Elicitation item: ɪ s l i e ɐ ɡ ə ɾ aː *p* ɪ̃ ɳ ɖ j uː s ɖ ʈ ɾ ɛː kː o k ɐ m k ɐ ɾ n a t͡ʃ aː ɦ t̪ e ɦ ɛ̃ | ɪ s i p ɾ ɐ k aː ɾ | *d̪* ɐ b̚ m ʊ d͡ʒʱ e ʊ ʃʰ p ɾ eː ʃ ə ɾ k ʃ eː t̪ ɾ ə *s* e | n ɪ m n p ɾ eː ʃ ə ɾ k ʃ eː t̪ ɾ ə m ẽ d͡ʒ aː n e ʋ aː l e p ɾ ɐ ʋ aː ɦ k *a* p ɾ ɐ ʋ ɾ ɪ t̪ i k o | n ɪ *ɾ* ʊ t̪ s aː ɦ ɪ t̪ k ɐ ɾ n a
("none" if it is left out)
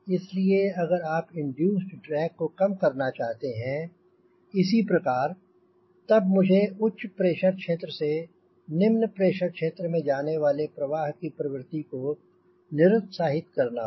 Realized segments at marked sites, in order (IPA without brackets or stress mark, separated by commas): p, t̪, s, i, ɾ